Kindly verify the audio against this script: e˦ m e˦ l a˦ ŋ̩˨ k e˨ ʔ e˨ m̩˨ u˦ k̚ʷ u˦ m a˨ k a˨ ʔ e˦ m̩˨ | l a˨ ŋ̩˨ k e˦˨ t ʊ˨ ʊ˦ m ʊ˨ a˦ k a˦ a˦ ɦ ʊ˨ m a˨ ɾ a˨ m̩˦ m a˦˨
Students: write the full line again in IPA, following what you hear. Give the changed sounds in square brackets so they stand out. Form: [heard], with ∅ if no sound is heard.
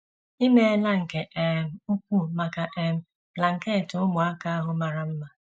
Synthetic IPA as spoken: [i˦] m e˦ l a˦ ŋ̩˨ k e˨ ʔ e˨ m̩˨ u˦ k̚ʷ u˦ m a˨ k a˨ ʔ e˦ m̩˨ | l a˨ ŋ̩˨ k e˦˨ t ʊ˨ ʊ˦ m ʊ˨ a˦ k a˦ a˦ ɦ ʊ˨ m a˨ ɾ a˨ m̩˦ m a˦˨